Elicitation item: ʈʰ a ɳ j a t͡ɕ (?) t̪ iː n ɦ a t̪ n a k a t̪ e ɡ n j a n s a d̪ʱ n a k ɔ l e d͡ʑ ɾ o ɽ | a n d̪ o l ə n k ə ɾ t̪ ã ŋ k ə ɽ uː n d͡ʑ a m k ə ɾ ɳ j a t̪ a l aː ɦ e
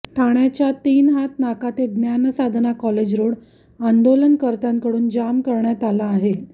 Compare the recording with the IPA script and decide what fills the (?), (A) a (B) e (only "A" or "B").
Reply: A